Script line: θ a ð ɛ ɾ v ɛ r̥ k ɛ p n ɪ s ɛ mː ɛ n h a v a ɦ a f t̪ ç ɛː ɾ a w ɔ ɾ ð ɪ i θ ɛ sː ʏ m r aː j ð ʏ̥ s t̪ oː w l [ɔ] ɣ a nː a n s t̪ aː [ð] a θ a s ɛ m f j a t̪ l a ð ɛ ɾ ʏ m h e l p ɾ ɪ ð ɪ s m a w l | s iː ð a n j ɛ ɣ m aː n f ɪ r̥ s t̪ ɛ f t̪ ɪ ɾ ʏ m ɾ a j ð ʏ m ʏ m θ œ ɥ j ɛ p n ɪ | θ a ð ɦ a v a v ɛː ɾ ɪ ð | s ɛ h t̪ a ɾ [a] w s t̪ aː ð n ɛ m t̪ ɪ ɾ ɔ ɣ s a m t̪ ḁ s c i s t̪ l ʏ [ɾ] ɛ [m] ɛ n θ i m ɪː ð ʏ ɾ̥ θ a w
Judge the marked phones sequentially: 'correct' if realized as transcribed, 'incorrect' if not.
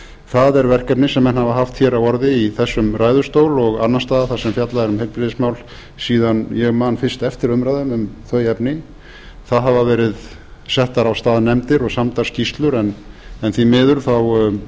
correct, correct, correct, correct, incorrect

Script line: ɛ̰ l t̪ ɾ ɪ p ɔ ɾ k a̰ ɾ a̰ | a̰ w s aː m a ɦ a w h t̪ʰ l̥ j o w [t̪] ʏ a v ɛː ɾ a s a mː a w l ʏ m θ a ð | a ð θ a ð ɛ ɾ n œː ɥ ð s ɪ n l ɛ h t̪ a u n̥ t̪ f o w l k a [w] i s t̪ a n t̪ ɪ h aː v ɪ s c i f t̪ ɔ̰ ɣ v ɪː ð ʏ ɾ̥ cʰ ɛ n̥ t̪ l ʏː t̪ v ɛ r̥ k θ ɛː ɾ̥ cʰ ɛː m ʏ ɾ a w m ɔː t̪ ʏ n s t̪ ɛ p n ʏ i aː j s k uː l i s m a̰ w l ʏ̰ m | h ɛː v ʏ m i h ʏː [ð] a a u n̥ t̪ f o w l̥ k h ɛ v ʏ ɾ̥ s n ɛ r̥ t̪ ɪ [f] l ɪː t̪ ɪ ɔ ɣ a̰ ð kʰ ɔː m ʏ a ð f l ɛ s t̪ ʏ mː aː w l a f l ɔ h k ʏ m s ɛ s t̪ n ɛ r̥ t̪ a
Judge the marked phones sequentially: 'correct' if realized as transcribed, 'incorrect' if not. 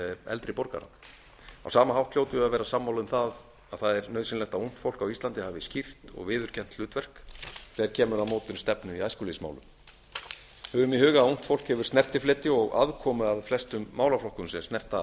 correct, correct, incorrect, correct

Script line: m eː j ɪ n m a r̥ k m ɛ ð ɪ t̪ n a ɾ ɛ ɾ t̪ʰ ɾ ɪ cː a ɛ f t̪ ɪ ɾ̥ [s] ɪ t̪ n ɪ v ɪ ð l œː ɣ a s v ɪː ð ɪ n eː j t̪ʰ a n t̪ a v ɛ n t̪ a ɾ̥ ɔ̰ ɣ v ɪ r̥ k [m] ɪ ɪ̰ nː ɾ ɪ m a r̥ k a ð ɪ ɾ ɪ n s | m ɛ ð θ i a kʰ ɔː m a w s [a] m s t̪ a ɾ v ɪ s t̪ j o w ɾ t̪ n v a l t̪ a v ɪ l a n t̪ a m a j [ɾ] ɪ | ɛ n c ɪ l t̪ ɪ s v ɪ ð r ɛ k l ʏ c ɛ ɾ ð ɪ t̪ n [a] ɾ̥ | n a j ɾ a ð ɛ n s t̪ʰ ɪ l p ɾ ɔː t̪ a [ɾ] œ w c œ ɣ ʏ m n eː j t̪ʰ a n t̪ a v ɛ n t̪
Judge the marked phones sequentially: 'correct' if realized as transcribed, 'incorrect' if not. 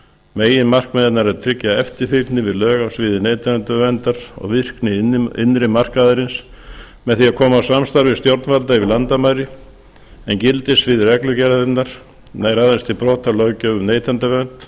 incorrect, incorrect, correct, correct, correct, incorrect

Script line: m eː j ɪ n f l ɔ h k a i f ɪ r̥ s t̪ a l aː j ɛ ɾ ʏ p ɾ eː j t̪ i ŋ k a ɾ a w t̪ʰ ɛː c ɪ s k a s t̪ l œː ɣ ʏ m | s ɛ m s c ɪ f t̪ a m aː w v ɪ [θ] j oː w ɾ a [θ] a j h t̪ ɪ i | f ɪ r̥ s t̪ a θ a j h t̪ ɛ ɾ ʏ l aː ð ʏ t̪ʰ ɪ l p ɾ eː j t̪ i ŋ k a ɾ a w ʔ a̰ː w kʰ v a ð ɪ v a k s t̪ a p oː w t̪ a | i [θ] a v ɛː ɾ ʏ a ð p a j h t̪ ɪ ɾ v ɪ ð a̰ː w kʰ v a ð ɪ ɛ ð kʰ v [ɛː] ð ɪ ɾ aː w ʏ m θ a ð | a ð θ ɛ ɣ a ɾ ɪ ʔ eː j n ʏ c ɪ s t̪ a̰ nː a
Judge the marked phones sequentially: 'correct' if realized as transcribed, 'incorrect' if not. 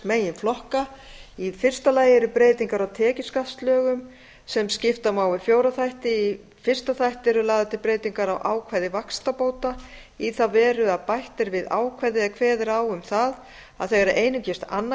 incorrect, correct, correct, correct

